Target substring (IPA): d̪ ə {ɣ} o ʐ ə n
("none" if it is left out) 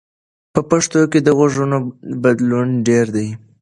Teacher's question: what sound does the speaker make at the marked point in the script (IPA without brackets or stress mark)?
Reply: ɣ